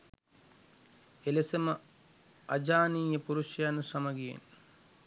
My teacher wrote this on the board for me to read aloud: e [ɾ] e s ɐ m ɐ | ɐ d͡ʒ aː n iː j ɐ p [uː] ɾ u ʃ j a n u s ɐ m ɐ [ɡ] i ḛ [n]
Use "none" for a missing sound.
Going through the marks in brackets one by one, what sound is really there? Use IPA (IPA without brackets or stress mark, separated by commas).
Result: l, u, ɡ, n